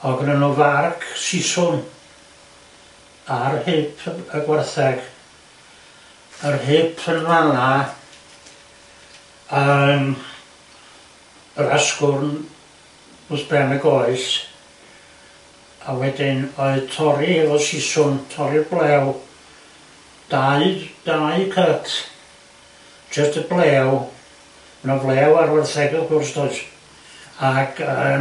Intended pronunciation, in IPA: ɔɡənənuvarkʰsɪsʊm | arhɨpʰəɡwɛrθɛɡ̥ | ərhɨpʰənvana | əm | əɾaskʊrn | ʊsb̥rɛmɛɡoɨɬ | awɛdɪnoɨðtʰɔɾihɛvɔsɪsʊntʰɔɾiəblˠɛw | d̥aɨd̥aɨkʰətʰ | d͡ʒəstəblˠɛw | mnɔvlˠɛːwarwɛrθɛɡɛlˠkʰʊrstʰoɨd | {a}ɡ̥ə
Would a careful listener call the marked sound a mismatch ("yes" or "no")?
no